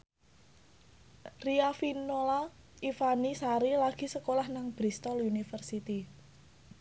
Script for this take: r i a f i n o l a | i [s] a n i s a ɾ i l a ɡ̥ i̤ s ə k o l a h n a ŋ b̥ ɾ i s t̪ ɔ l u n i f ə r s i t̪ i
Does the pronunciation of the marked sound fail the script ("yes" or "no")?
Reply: yes